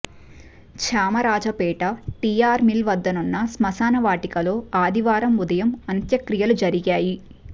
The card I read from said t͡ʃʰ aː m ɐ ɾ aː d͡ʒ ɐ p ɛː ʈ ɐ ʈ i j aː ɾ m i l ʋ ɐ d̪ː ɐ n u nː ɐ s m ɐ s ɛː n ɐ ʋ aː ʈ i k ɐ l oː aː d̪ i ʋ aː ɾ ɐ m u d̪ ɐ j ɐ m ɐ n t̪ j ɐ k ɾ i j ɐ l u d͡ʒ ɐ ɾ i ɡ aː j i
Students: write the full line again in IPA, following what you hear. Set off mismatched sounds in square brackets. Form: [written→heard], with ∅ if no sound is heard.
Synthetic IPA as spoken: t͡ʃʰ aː m ɐ ɾ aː d͡ʒ ɐ p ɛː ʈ ɐ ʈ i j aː ɾ m i l ʋ ɐ d̪ː ɐ n u nː ɐ s m ɐ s [ɛː→aː] n ɐ ʋ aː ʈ i k ɐ l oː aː d̪ i ʋ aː ɾ ɐ m u d̪ ɐ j ɐ m ɐ n t̪ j ɐ k ɾ i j ɐ l u d͡ʒ ɐ ɾ i ɡ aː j i